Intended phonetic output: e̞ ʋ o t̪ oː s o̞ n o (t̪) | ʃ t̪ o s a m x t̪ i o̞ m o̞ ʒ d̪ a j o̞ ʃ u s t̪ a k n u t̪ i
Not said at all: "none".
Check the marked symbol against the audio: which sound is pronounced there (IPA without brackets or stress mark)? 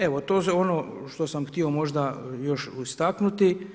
none